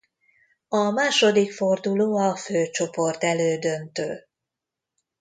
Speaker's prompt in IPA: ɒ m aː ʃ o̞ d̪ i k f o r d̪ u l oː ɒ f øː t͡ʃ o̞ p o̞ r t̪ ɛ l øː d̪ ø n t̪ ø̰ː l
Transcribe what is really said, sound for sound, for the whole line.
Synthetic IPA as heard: ɒ m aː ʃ o̞ d̪ i k f o r d̪ u l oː ɒ f øː t͡ʃ o̞ p o̞ r t̪ ɛ l øː d̪ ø n t̪ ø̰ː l